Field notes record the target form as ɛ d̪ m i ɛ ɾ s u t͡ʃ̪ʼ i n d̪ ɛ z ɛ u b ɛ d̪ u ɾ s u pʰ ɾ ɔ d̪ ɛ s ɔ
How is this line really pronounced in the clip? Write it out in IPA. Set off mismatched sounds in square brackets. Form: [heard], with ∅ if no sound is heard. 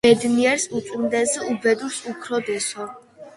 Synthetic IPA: ɛ d̪ [n] i ɛ ɾ s u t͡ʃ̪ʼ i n d̪ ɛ z ɛ u b ɛ d̪ u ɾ s u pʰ ɾ ɔ d̪ ɛ s ɔ